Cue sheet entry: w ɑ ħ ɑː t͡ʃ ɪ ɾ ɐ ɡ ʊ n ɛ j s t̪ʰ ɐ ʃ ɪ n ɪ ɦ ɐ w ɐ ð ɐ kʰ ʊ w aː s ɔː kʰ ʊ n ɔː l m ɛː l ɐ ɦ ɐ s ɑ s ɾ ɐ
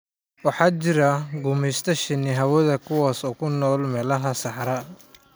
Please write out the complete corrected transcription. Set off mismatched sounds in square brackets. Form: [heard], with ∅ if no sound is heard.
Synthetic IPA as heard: w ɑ ħ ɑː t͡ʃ ɪ ɾ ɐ ɡ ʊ [m] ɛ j s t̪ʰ ɐ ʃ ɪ n ɪ ɦ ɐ w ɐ ð ɐ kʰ ʊ w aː s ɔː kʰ ʊ n ɔː l m ɛː l ɐ ɦ ɐ s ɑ [ħ] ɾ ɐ